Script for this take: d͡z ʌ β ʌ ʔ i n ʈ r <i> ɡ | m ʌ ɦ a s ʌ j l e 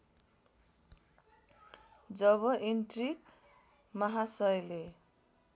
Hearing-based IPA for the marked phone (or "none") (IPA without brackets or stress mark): i